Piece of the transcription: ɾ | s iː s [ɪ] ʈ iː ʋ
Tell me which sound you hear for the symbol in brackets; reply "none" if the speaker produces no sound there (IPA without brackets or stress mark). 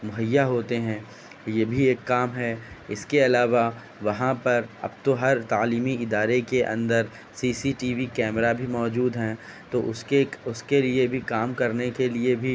i